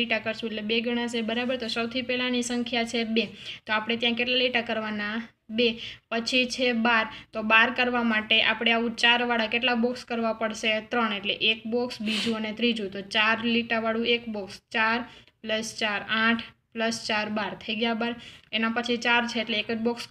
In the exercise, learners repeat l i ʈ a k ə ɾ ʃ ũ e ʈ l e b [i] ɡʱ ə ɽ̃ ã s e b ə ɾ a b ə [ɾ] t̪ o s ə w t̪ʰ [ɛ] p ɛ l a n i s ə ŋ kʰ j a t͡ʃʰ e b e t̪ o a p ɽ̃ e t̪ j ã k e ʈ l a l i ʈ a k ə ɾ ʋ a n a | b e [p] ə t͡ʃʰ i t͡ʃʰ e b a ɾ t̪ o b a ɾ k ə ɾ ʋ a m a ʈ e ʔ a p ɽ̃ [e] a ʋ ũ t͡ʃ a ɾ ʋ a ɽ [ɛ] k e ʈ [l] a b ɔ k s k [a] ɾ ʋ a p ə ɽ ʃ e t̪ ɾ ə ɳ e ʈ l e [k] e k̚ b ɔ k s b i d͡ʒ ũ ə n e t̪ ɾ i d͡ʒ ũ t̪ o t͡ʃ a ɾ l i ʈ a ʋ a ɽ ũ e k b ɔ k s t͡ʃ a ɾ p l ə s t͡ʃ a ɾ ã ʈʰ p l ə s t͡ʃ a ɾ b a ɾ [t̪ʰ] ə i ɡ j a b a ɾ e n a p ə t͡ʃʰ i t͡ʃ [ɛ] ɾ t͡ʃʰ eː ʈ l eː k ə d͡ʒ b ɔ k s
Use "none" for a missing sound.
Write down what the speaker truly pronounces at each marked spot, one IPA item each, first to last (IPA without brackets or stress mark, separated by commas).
e, ɾ, i, p, e, a, l, ə, ʔ, t̪ʰ, a